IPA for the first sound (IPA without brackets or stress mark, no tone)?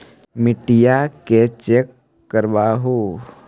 m